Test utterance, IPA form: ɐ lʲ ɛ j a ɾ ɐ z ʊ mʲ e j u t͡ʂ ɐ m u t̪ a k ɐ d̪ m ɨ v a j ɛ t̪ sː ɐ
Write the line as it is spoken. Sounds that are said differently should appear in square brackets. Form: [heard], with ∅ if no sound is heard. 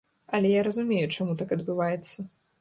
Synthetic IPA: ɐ lʲ ɛ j a ɾ ɐ z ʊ mʲ e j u t͡ʂ [a] m u t̪ a k ɐ d̪ [b] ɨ v a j ɛ t̪ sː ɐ